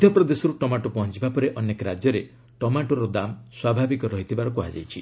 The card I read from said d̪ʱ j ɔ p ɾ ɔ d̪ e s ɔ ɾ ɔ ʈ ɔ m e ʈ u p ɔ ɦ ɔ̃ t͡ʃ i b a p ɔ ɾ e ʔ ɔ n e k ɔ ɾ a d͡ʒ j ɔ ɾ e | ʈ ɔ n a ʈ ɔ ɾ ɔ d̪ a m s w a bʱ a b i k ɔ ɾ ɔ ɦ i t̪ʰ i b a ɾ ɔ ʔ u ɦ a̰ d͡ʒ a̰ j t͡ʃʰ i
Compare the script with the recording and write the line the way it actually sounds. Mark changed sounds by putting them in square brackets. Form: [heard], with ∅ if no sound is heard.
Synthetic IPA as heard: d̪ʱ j ɔ p ɾ ɔ d̪ e s ɔ ɾ [u] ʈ ɔ m [a] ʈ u p ɔ ɦ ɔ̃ t͡ʃ i b a p ɔ ɾ e ʔ ɔ n e k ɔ ɾ a d͡ʒ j ɔ ɾ e | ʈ ɔ [m] a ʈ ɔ ɾ ɔ d̪ a m s w a bʱ a b i k ɔ ɾ ɔ ɦ i t̪ʰ i b a ɾ ɔ [k] u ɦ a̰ d͡ʒ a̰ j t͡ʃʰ i